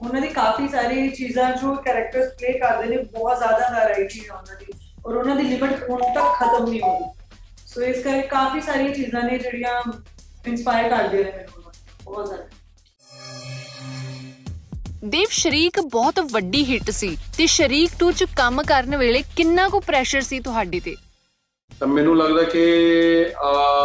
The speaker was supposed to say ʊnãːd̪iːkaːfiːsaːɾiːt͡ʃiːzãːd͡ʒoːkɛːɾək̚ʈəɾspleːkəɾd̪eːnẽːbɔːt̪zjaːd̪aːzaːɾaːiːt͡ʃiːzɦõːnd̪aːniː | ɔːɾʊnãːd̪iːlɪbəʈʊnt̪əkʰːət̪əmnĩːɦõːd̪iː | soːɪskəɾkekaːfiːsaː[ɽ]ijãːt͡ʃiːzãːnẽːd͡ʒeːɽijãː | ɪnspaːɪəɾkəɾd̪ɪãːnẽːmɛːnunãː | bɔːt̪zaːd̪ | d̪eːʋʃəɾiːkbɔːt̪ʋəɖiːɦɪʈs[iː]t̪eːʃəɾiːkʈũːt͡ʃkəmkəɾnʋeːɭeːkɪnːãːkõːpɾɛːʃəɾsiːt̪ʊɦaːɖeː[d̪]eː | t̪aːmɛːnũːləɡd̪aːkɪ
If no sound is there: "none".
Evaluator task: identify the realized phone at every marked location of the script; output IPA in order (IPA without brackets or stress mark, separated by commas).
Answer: ɾ, iː, t̪